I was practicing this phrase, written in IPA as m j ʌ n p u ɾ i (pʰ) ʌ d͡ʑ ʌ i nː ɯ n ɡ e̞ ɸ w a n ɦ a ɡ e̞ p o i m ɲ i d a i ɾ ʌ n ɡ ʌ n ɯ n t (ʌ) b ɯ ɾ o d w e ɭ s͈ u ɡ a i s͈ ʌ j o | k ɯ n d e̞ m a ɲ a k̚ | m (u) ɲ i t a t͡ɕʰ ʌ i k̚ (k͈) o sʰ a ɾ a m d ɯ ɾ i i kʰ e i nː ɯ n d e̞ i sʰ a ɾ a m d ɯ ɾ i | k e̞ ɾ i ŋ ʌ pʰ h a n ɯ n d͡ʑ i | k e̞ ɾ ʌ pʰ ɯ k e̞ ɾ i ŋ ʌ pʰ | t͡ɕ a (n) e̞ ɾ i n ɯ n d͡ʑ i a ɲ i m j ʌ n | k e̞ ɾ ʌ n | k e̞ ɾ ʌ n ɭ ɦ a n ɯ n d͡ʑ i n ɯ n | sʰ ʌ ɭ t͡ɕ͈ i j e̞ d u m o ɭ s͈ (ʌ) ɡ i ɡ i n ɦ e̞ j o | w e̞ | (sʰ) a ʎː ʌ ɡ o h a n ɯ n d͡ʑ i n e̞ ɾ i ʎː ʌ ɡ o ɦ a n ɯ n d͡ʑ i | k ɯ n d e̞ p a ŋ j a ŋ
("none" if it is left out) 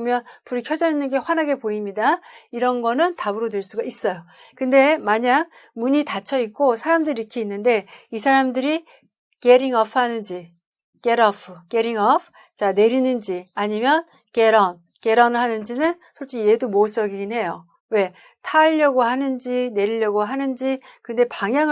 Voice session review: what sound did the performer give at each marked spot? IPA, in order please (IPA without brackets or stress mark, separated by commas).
kʰ, a, u, k͈, n, ʌ, tʰ